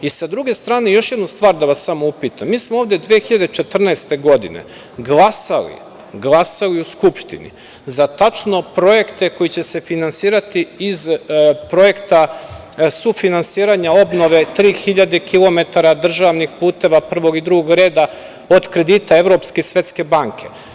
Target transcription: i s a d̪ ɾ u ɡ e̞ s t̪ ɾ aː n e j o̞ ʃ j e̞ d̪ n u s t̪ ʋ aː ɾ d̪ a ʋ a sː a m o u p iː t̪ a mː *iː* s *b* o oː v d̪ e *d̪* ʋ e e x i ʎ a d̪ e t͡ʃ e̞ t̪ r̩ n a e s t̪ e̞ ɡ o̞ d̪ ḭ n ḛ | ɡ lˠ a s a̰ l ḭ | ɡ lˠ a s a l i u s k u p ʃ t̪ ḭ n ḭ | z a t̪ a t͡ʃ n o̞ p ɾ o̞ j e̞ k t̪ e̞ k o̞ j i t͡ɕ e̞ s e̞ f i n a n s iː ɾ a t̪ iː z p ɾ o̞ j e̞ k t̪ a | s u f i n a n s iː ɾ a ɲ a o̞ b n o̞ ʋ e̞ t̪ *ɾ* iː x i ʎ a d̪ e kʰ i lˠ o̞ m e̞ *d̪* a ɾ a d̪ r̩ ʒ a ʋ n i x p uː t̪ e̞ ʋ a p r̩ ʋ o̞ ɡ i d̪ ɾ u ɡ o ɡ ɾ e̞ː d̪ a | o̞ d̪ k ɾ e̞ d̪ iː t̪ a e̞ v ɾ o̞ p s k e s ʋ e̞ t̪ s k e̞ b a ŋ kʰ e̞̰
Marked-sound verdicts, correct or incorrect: correct, incorrect: m, correct, correct, incorrect: t̪

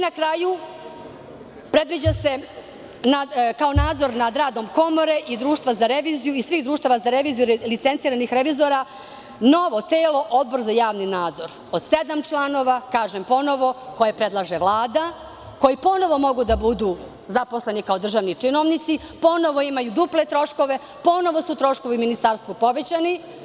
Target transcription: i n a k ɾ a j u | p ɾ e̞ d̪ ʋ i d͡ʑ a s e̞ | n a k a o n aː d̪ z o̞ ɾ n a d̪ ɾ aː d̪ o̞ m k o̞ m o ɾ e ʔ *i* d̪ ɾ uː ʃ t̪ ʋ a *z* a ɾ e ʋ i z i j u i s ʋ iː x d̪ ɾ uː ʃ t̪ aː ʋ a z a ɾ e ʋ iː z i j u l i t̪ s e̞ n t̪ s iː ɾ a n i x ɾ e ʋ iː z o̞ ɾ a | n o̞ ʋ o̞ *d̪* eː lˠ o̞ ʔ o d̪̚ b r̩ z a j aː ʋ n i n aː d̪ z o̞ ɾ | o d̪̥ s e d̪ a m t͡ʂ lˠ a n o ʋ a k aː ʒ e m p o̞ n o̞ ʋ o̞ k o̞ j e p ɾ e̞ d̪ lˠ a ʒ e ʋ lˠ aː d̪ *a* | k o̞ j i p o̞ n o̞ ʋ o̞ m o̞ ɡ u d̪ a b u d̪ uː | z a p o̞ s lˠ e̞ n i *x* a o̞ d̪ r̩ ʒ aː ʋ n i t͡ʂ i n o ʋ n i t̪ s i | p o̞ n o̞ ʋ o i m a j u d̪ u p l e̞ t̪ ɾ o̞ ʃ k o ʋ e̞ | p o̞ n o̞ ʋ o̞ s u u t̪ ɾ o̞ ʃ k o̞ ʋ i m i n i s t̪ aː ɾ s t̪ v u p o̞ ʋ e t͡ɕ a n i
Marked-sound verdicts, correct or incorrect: correct, correct, incorrect: t̪, correct, incorrect: k

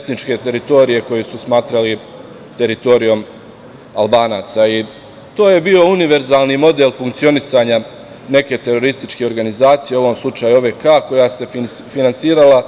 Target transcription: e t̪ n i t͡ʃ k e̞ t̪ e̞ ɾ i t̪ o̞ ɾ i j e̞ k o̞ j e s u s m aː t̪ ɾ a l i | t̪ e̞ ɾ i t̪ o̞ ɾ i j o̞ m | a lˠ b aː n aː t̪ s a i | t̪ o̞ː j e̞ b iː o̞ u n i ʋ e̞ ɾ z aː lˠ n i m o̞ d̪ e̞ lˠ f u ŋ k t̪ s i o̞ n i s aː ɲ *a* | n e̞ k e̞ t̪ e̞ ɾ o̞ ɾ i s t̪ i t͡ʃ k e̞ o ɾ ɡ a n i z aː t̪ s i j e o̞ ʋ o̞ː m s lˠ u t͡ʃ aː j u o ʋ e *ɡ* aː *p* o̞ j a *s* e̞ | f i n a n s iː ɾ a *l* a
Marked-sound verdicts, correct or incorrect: correct, incorrect: k, incorrect: k, correct, correct

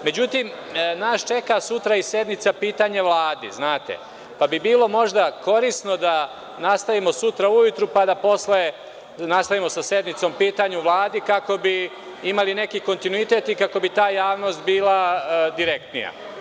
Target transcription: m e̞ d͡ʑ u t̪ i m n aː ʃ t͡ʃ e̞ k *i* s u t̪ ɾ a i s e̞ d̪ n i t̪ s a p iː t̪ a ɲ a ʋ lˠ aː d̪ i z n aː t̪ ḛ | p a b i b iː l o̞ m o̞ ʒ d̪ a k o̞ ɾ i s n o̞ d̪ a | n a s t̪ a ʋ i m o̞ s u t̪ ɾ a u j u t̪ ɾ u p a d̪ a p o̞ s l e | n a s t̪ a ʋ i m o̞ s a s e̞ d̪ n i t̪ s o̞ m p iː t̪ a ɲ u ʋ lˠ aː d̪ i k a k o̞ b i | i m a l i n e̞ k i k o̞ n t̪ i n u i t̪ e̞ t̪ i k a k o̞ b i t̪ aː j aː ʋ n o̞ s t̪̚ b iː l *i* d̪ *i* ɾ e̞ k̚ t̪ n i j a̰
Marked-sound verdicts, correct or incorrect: incorrect: a, incorrect: a, correct

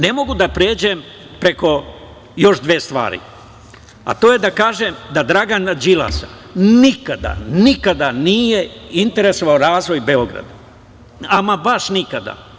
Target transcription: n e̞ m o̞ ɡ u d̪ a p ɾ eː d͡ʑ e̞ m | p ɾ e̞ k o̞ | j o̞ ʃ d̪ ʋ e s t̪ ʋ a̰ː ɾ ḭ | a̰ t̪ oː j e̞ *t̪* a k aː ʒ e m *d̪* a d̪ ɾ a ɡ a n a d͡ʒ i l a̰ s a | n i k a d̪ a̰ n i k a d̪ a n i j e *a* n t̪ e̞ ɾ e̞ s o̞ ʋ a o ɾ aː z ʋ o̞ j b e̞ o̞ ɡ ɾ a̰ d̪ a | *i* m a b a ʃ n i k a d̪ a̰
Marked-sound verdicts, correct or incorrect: incorrect: d̪, correct, incorrect: i, incorrect: a

